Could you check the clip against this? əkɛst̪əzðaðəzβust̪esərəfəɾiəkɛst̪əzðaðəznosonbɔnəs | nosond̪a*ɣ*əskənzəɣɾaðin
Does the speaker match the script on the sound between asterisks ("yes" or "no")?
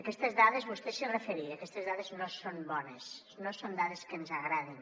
no